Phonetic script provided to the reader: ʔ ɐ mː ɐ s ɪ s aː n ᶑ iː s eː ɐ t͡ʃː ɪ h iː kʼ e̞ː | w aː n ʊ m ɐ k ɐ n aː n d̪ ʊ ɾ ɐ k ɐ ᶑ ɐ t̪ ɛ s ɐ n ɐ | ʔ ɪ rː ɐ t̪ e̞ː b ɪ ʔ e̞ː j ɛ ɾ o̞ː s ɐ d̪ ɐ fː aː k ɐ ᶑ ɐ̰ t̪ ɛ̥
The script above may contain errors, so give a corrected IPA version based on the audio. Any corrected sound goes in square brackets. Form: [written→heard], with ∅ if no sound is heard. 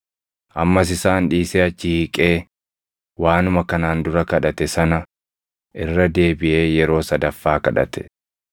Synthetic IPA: ʔ ɐ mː ɐ s ɪ s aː n ᶑ iː s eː ɐ t͡ʃː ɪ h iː kʼ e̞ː | w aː n ʊ m ɐ k ɐ n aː n d̪ ʊ ɾ ɐ k ɐ ᶑ ɐ t̪ ɛ s ɐ n ɐ | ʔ ɪ rː ɐ [t̪→d̪] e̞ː b ɪ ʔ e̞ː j ɛ ɾ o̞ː s ɐ d̪ ɐ fː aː k ɐ ᶑ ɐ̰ t̪ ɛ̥